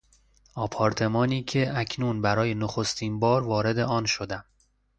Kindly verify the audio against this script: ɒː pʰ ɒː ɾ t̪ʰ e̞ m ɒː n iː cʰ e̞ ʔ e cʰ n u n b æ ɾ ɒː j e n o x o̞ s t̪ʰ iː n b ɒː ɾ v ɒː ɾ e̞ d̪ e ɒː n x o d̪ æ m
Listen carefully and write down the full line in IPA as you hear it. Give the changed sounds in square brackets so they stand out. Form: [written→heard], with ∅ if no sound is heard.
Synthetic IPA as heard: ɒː pʰ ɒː ɾ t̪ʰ e̞ m ɒː n iː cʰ e̞ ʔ [e→æ] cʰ n u n b æ ɾ ɒː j e n o x o̞ s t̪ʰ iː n b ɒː ɾ v ɒː ɾ e̞ d̪ e ɒː n [x→ʃ] o d̪ æ m